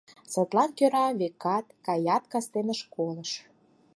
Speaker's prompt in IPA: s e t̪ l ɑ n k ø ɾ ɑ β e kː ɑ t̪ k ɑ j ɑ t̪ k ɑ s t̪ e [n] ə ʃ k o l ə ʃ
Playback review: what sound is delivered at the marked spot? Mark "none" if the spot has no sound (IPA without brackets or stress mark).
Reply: n